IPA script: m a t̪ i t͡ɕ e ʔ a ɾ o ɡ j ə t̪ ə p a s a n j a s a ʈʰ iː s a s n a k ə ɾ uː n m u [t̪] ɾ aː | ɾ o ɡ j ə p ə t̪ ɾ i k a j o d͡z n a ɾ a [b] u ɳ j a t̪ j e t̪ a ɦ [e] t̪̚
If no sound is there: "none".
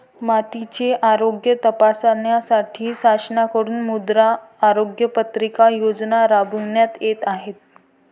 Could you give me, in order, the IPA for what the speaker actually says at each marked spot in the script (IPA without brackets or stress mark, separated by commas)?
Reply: d̪, b, e